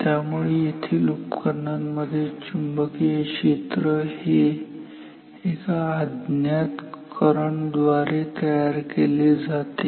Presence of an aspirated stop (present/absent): present